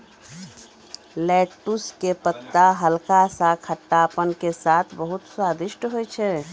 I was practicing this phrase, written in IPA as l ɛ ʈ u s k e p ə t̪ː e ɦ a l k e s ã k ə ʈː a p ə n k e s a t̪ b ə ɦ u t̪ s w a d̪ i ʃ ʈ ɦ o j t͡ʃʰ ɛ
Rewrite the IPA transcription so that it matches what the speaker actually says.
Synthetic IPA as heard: l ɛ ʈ u s k e p ə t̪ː a ɦ ə l k a s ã kʰ ə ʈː a p ə n k e s a t̪ʰ b ə ɦ u t̪ s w a d̪ i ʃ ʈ ɦ o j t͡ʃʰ ɛ